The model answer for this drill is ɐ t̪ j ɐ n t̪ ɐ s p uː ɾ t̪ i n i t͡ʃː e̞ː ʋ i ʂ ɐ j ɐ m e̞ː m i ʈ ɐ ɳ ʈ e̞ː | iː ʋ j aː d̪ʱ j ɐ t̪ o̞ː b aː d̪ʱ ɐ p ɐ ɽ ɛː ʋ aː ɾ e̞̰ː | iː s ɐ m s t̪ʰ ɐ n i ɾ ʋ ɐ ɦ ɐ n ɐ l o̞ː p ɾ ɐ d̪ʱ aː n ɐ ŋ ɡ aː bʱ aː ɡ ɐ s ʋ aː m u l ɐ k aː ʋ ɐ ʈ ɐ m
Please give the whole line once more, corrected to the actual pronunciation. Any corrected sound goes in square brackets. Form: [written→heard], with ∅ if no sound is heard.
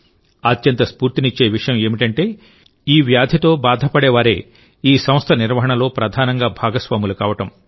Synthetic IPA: ɐ t̪ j ɐ n t̪ ɐ s p uː ɾ t̪ i n i t͡ʃː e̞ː ʋ i ʂ ɐ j ɐ m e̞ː m i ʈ ɐ ɳ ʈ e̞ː | iː ʋ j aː d̪ʱ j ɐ t̪ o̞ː b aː d̪ʱ ɐ p ɐ ɽ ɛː ʋ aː ɾ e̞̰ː | iː s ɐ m s t̪ʰ ɐ n i ɾ ʋ ɐ ɦ ɐ [n→ɳ] ɐ l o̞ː p ɾ ɐ d̪ʱ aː n ɐ ŋ ɡ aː bʱ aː ɡ ɐ s ʋ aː m u l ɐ k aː ʋ ɐ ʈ ɐ m

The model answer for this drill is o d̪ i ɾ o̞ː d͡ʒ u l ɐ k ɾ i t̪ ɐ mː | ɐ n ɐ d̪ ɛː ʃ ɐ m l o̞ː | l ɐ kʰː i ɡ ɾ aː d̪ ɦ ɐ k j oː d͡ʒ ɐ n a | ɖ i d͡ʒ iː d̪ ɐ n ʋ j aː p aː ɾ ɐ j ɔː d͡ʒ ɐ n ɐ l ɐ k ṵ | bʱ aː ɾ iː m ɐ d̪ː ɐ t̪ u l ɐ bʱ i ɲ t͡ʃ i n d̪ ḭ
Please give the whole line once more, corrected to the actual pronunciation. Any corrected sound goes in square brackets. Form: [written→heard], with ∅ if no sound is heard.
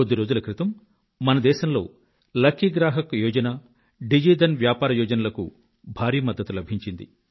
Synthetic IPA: o d̪ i ɾ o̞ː d͡ʒ u l ɐ k ɾ i t̪ ɐ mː | ɐ n ɐ d̪ ɛː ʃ ɐ m l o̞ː | l ɐ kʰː i ɡ ɾ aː [d̪→∅] ɦ ɐ k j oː d͡ʒ ɐ n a | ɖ i d͡ʒ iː d̪ ɐ n ʋ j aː p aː ɾ ɐ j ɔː d͡ʒ ɐ n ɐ l ɐ k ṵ | bʱ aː ɾ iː m ɐ d̪ː ɐ t̪ u l ɐ bʱ i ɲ t͡ʃ i n d̪ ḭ

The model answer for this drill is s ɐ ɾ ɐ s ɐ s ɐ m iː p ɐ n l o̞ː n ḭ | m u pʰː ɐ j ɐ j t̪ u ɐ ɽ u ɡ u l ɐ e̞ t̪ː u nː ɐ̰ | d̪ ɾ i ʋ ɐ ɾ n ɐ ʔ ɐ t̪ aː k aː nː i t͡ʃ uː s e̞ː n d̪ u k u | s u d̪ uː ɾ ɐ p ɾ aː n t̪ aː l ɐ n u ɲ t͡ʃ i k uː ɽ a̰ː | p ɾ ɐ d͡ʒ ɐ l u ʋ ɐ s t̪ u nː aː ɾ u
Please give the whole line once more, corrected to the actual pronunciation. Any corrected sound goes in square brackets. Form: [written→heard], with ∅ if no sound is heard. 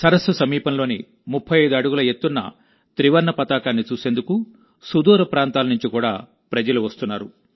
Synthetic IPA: s ɐ ɾ ɐ s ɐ s ɐ m iː p ɐ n l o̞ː n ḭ | m u pʰː ɐ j ɐ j [t̪→d̪] u ɐ ɽ u ɡ u l ɐ e̞ t̪ː u nː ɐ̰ | [d̪→t̪] ɾ i ʋ ɐ ɾ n ɐ [ʔ→p] ɐ t̪ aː k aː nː i t͡ʃ uː s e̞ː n d̪ u k u | s u d̪ uː ɾ ɐ p ɾ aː n t̪ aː l ɐ n u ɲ t͡ʃ i k uː ɽ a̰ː | p ɾ ɐ d͡ʒ ɐ l u ʋ ɐ s t̪ u nː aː ɾ u

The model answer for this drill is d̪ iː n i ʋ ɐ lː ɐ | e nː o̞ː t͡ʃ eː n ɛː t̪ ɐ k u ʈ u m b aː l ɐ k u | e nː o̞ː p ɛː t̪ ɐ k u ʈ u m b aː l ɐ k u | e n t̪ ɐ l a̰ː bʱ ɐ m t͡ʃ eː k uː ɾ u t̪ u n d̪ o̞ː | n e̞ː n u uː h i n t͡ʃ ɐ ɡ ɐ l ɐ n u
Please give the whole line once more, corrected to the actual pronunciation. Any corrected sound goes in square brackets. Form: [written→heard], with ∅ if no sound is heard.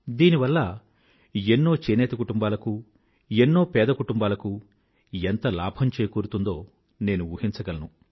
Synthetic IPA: d̪ iː n i ʋ ɐ lː ɐ | e nː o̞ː t͡ʃ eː n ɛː t̪ ɐ k u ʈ u m b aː l ɐ k u | e nː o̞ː p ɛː [t̪→d̪] ɐ k u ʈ u m b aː l ɐ k u | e n t̪ ɐ l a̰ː bʱ ɐ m t͡ʃ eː k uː ɾ u t̪ u n d̪ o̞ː | n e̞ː n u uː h i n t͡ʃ ɐ ɡ ɐ l ɐ n u

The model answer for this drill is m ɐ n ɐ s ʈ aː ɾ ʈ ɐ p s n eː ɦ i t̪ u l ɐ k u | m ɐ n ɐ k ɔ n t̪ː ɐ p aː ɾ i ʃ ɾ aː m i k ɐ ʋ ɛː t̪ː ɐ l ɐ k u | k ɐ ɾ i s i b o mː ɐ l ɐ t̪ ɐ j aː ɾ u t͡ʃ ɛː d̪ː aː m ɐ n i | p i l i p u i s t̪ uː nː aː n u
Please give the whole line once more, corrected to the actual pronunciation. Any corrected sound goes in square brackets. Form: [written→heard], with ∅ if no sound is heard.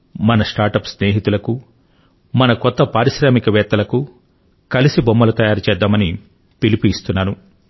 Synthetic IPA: m ɐ n ɐ s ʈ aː ɾ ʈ ɐ p s n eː ɦ i t̪ u l ɐ k u | m ɐ n ɐ k ɔ [n→∅] t̪ː ɐ p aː ɾ i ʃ ɾ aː m i k ɐ ʋ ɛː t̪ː ɐ l ɐ k u | k ɐ [ɾ→l] i s i b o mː ɐ l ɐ t̪ ɐ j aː ɾ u t͡ʃ ɛː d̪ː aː m ɐ n i | p i l i p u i s t̪ [uː→u] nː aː n u

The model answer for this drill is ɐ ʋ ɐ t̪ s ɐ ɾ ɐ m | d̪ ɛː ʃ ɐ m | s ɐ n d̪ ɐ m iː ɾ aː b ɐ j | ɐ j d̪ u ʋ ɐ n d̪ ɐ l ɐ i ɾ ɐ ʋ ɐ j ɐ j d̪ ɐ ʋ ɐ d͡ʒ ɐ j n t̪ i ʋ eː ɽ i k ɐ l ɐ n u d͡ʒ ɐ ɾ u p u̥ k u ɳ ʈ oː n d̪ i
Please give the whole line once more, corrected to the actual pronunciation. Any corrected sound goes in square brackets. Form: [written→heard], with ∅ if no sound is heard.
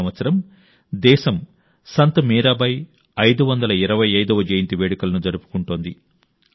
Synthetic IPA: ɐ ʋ ɐ t̪ s ɐ ɾ ɐ m | d̪ ɛː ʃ ɐ m | s ɐ n [d̪→t̪] ɐ m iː ɾ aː b ɐ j | ɐ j d̪ u ʋ ɐ n d̪ ɐ l ɐ i ɾ ɐ ʋ ɐ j ɐ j d̪ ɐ ʋ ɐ d͡ʒ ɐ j n t̪ i ʋ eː ɽ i k ɐ l ɐ n u d͡ʒ ɐ ɾ u p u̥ k u ɳ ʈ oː n d̪ i

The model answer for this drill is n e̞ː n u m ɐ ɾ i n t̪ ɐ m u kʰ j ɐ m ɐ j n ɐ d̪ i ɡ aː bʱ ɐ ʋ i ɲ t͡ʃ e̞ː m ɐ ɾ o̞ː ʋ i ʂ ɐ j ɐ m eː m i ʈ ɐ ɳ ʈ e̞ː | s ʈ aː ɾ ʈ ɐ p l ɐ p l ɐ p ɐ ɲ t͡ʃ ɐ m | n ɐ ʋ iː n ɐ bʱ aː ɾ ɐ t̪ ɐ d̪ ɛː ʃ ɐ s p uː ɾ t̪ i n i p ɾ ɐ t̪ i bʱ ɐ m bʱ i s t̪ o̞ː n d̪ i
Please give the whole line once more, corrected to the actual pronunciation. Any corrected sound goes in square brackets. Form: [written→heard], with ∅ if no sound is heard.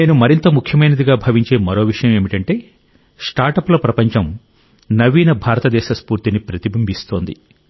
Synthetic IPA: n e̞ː n u m ɐ ɾ i n t̪ ɐ m u kʰ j ɐ m ɐ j n ɐ d̪ i ɡ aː bʱ ɐ ʋ i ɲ t͡ʃ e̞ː m ɐ ɾ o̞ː ʋ i ʂ ɐ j ɐ m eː m i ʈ ɐ ɳ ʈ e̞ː | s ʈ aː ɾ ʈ ɐ p l ɐ p [l→ɾ] ɐ p ɐ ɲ t͡ʃ ɐ m | n ɐ ʋ iː n ɐ bʱ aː ɾ ɐ t̪ ɐ d̪ ɛː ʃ ɐ s p uː ɾ t̪ i n i p ɾ ɐ t̪ i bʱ ɐ m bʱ i s t̪ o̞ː n d̪ i

